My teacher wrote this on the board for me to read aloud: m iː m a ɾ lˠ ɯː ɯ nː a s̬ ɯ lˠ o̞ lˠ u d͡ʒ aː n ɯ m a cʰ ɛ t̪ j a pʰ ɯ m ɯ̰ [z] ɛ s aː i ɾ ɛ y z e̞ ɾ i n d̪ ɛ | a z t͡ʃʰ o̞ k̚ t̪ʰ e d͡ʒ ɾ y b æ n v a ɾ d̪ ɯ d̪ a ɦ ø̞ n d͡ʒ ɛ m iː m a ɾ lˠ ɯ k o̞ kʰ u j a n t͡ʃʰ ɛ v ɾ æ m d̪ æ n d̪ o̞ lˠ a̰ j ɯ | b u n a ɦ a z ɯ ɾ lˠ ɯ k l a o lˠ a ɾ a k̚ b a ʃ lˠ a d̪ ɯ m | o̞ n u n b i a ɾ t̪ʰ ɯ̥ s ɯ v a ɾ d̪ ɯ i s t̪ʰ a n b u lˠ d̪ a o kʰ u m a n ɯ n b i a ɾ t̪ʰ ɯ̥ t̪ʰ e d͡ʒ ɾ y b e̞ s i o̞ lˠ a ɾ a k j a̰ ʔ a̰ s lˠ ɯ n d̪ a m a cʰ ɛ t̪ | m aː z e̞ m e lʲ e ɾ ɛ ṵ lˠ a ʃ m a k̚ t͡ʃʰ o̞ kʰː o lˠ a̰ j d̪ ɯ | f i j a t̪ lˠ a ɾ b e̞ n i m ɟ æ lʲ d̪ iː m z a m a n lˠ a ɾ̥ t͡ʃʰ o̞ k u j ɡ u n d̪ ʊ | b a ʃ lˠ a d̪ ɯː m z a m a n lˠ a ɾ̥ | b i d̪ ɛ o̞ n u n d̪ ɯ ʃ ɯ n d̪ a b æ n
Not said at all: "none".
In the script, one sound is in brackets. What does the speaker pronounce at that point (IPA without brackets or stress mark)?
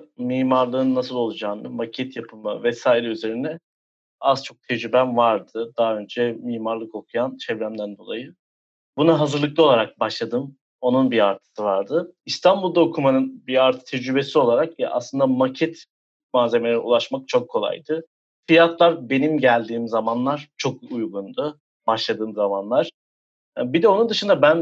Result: v